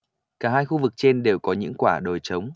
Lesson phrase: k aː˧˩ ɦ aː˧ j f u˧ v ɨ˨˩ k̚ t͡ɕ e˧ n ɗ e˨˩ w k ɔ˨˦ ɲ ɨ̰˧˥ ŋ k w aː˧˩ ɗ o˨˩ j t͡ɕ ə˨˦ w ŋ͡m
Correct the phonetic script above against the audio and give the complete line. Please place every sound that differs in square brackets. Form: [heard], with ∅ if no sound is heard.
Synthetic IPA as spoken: k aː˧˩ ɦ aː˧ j [x] u˧ v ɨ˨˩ k̚ t͡ɕ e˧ n ɗ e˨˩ w k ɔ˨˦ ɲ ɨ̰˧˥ ŋ k w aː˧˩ ɗ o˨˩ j t͡ɕ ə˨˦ w ŋ͡m